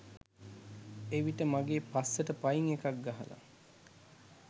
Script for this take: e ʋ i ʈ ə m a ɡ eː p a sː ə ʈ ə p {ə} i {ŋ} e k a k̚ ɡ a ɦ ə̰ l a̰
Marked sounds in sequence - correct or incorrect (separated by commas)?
incorrect, correct